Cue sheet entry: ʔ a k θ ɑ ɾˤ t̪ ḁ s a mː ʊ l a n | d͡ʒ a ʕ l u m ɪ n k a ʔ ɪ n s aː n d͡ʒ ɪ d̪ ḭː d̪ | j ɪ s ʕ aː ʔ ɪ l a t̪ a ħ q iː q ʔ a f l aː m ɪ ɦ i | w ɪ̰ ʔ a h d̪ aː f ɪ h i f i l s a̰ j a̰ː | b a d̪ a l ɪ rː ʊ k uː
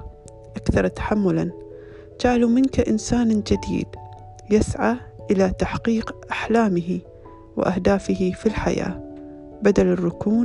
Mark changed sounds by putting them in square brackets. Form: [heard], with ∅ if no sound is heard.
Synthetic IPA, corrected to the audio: ʔ a k θ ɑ ɾˤ t̪ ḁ [ħ] a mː ʊ l a n | d͡ʒ a ʕ l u m ɪ n k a ʔ ɪ n s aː n d͡ʒ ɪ d̪ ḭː d̪ | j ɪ s ʕ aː ʔ ɪ l a t̪ a ħ q iː q ʔ a [ħ] l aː m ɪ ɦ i | w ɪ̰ ʔ a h d̪ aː f ɪ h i f i l [ħ] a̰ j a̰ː | b a d̪ a l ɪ rː ʊ k uː